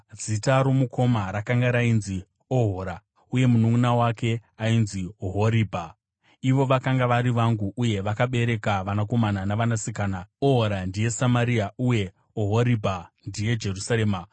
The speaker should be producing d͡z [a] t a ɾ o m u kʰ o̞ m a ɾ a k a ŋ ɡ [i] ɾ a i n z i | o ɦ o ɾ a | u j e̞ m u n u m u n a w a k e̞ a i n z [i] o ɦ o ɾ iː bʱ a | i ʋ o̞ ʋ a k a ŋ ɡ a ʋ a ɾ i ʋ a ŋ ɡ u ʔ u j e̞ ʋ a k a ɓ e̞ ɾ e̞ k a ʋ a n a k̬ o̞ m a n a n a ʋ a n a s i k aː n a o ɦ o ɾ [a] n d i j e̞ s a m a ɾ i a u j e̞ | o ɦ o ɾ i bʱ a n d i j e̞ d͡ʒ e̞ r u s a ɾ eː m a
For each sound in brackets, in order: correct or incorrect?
incorrect: i, incorrect: a, correct, correct

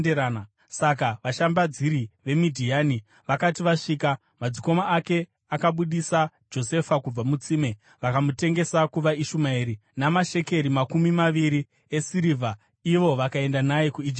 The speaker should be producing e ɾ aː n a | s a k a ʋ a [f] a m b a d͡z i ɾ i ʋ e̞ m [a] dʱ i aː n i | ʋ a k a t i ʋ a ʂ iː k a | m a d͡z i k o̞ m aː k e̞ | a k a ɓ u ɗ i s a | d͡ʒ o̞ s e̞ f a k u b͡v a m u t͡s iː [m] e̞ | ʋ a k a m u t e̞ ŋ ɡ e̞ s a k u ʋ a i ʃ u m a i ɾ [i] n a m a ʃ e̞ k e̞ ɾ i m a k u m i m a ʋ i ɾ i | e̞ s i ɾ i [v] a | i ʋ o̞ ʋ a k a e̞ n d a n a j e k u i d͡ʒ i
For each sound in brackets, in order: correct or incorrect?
incorrect: ʃ, incorrect: i, correct, correct, correct

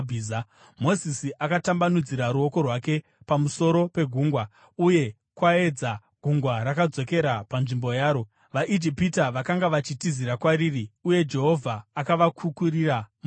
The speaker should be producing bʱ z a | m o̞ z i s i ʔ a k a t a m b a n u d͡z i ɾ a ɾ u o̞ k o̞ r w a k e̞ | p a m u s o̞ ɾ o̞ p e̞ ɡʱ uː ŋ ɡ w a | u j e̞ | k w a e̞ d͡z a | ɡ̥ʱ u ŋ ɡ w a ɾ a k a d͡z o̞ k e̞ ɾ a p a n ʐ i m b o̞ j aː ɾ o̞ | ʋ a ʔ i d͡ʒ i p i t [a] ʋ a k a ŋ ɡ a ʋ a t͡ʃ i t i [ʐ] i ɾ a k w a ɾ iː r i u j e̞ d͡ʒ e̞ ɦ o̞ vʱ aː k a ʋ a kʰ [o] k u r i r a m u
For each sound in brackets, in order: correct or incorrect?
correct, incorrect: z, incorrect: u

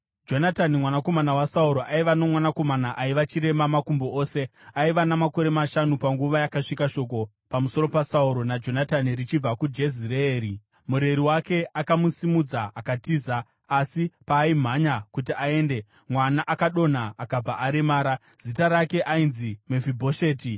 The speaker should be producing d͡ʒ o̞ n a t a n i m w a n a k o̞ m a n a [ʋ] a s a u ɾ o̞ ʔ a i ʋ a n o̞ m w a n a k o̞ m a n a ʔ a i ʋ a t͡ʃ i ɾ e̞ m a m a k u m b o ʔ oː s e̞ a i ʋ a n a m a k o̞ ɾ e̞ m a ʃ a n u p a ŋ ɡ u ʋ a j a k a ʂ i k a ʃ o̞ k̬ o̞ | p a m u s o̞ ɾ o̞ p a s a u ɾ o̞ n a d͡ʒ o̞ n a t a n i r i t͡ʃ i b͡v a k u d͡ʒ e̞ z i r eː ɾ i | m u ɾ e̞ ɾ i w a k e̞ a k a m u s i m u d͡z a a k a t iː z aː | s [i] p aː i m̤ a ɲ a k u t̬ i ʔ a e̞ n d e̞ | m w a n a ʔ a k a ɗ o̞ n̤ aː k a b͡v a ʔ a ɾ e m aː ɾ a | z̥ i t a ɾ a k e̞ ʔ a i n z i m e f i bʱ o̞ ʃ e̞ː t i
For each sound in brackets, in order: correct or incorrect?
incorrect: w, correct

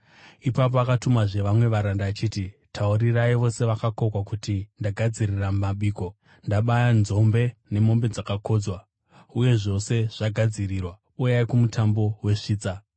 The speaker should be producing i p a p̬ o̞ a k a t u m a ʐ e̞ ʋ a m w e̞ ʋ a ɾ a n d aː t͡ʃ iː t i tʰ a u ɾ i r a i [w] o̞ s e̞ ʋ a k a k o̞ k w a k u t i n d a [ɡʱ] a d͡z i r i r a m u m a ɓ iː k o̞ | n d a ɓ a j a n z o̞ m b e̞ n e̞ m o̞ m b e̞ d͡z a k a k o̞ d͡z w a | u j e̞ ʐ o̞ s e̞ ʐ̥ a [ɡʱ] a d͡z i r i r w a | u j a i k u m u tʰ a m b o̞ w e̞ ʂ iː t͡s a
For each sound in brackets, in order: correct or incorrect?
incorrect: ʋ, correct, correct

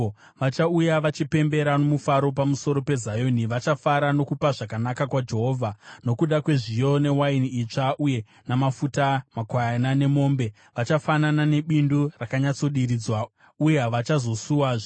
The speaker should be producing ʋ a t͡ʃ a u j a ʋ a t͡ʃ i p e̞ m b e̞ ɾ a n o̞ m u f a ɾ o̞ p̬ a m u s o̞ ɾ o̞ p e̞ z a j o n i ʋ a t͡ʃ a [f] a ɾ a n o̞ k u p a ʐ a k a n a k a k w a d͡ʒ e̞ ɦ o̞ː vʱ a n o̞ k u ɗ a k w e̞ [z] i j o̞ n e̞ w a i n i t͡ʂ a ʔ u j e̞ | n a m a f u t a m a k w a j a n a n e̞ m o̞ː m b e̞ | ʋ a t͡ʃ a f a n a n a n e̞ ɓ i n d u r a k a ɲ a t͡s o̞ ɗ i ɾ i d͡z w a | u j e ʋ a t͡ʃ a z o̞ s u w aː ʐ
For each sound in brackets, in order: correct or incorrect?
correct, incorrect: ʐ

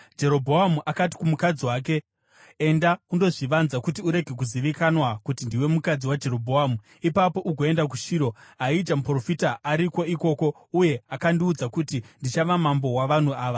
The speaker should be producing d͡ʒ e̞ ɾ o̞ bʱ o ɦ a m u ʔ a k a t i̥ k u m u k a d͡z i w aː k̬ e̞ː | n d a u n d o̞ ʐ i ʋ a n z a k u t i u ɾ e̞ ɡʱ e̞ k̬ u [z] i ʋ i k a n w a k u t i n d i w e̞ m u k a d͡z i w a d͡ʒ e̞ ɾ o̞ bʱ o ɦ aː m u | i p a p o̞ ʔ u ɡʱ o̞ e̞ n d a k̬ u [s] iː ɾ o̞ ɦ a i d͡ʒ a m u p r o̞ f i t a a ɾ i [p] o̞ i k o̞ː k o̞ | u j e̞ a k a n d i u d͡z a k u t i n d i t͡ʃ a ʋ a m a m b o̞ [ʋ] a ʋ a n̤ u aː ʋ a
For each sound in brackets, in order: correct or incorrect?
correct, incorrect: ʃ, incorrect: k, incorrect: w

